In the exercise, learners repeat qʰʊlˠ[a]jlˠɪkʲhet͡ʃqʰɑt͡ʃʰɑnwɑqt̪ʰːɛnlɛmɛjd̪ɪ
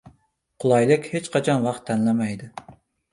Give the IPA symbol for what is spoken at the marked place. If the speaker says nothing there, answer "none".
ɑ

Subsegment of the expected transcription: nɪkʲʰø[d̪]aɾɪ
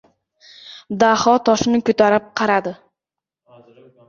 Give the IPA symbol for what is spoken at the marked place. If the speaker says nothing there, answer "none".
t̪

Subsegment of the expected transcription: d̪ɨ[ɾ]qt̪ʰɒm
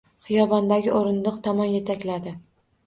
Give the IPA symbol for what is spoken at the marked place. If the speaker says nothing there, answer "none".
none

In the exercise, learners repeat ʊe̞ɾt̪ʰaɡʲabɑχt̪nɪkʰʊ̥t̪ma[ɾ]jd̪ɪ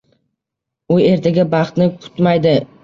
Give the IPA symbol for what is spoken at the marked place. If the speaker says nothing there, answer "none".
none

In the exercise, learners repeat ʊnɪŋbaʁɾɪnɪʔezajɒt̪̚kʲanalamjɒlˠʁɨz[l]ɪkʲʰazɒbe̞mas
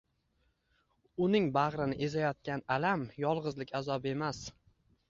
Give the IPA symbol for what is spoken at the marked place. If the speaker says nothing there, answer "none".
l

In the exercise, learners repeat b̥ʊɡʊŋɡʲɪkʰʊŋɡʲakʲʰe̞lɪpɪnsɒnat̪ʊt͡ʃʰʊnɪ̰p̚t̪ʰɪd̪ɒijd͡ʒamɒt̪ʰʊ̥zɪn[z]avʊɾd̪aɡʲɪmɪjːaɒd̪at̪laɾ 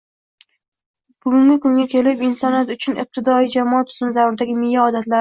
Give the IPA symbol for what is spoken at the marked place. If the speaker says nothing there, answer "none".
z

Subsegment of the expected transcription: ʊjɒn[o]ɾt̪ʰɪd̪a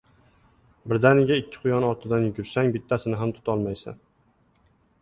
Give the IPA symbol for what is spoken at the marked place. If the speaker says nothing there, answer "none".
ɒ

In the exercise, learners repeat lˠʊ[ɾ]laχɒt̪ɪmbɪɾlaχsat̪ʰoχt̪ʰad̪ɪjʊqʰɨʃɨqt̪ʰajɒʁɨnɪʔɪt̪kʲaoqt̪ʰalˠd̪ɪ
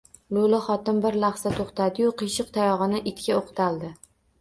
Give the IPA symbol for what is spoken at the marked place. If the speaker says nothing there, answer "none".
none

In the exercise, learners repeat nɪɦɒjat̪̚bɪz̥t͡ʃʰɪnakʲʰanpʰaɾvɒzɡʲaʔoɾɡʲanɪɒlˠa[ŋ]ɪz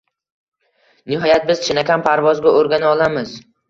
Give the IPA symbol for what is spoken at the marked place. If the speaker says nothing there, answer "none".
m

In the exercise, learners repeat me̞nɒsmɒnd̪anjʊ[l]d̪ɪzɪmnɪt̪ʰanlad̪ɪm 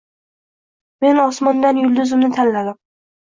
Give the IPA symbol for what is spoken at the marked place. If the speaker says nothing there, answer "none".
l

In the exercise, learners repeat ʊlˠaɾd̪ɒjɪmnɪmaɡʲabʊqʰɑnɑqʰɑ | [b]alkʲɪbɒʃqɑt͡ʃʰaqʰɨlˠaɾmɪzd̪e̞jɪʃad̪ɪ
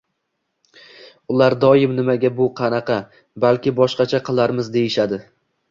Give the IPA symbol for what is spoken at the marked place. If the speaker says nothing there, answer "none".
b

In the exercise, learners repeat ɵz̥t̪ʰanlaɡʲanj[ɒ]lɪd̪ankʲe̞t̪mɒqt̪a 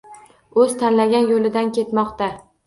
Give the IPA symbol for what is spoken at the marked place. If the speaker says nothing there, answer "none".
o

